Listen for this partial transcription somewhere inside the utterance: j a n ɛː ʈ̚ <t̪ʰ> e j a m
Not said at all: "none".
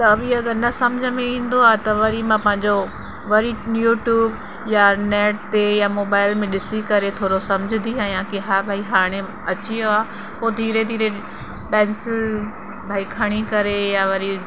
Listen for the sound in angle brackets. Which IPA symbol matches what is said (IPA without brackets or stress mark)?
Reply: t̪